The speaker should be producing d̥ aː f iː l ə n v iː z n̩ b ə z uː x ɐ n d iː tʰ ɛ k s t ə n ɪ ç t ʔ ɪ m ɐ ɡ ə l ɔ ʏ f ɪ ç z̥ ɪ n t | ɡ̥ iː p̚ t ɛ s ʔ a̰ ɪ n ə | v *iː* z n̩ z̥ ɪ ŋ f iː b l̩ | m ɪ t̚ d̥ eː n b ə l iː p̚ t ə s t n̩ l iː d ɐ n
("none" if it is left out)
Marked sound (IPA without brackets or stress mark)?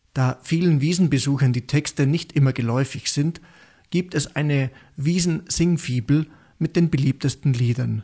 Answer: iː